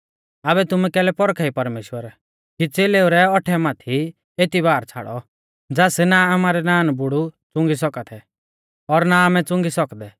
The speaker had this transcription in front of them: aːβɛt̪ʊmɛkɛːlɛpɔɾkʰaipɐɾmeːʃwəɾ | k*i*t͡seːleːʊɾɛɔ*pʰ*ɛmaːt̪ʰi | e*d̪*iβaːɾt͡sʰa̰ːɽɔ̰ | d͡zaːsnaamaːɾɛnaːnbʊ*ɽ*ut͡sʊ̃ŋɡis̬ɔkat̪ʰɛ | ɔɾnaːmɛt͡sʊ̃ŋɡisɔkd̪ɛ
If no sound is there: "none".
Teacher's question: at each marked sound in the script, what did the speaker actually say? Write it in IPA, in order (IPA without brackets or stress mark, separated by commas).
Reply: i, ʈʰ, t̪, ɽ